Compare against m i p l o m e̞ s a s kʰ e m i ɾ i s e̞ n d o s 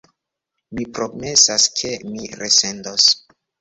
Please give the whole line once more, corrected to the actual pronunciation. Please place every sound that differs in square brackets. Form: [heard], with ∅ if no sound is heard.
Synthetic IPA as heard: m i p [ɾ] o m e̞ s a s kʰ e m i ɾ [e] s e̞ n d o s

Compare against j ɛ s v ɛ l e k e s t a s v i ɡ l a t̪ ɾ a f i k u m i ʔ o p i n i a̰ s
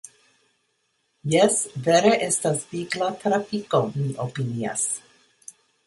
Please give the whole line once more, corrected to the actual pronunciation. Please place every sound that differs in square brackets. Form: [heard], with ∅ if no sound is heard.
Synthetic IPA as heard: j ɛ s v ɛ [ɾ] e [ʔ] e s t a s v i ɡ l a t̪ ɾ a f i k [o] m i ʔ o p i n i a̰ s

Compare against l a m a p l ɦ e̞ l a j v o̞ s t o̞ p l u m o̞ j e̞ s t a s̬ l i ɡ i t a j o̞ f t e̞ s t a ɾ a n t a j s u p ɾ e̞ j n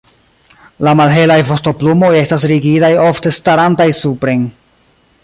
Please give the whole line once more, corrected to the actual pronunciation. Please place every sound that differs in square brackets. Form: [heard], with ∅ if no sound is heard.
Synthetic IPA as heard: l a m a [∅] l ɦ e̞ l a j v o̞ s t o̞ p l u m o̞ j e̞ s t a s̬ [ɾ] i ɡ i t a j o̞ f t e̞ s t a ɾ a n t a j s u p ɾ e̞ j n

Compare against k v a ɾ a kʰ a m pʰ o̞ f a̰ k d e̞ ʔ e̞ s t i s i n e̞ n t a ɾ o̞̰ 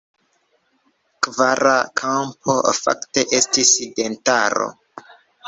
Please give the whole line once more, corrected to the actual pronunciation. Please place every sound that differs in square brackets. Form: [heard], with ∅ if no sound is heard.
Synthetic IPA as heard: k v a ɾ a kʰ a m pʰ o̞ f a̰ k [t] e̞ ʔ e̞ s t i s i [d] e̞ n t a ɾ o̞̰

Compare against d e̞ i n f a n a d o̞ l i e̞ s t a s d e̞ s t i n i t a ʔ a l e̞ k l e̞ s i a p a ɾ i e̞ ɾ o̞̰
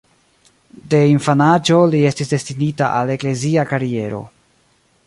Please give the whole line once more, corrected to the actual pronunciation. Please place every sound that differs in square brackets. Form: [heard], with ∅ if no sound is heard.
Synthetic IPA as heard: d e̞ i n f a n a [d͡ʒ] o̞ l i e̞ s t [i] s d e̞ s t i n i t a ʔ a l e̞ k l e̞ [z] i a [k] a ɾ i e̞ ɾ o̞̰

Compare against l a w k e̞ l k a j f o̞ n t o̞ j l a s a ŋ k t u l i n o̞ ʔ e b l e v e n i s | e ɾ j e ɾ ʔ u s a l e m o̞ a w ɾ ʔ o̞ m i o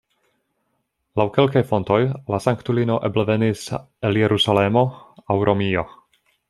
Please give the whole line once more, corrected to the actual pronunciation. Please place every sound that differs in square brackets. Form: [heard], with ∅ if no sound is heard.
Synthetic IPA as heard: l a w k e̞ l k a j f o̞ n t o̞ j l a s a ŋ k t u l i n o̞ ʔ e b l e v e n i s | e [l] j e ɾ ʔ u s a l e m o̞ a w ɾ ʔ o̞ m i o

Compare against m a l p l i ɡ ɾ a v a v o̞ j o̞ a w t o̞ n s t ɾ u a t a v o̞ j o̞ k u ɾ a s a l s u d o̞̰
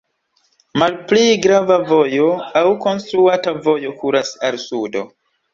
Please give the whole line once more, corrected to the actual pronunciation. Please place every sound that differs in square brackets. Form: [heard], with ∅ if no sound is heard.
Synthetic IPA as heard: m a l p l i ɡ ɾ a v a v o̞ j o̞ a w [k] o̞ n s t ɾ u a t a v o̞ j o̞ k u ɾ a s a l s u d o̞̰

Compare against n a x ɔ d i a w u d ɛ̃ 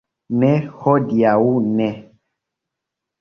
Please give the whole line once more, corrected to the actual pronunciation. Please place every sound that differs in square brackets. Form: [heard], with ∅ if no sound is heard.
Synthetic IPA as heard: n [ɛ] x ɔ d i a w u [n] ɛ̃

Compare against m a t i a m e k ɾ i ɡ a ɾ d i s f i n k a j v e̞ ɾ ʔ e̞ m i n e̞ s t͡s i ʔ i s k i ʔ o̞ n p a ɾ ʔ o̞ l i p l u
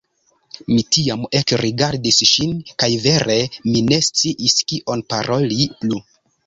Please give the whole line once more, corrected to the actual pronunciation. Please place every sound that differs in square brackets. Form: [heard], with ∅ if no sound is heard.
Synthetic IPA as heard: m [i] t i a m e k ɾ i ɡ a ɾ d i s [ʃ] i n k a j v e̞ ɾ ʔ e̞ m i n e̞ s t͡s i ʔ i s k i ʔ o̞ n p a ɾ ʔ o̞ l i p l u

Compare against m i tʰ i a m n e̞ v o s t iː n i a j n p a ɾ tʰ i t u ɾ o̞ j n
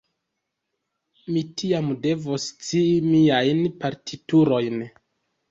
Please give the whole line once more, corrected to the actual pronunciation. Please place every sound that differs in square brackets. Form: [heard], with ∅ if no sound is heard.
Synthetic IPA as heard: m i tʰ i a m [d] e̞ v o s [t͡s] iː [m] i a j n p a ɾ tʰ i t u ɾ o̞ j n

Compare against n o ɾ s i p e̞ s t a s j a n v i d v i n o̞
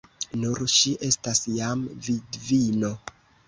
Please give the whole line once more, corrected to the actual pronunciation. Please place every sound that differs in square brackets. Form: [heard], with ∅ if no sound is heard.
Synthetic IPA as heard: n [u] ɾ [ʃ] i [ʔ] e̞ s t a s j a [m] v i d v i n o̞

